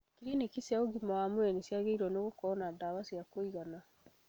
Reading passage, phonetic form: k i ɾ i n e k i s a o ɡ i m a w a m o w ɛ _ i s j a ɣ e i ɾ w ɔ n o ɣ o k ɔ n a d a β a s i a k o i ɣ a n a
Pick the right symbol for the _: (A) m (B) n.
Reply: B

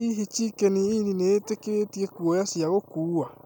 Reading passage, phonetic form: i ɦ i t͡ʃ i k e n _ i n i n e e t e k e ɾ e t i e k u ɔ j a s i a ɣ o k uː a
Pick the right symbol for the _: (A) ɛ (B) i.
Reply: B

